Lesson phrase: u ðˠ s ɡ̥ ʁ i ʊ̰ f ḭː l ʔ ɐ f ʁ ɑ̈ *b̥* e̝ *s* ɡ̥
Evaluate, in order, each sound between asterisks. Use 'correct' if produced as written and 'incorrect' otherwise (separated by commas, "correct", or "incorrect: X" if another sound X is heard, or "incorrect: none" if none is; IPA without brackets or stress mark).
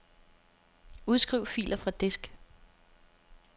incorrect: d̥, correct